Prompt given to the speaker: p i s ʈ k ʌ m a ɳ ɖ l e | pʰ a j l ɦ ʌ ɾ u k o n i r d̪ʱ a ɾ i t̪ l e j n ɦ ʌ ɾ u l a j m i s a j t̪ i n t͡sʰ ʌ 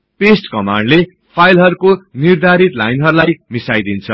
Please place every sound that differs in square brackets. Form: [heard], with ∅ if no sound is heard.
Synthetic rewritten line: p [e] s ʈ k ʌ m a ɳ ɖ l e | pʰ a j l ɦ ʌ ɾ u k o n i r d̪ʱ a ɾ i t̪ l [a] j n ɦ ʌ ɾ u l a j m i s a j [d̪] i n t͡sʰ ʌ